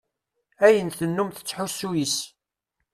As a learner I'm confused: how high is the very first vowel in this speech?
low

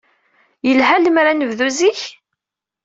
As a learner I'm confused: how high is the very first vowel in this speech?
mid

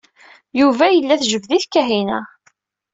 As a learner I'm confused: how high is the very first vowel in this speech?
high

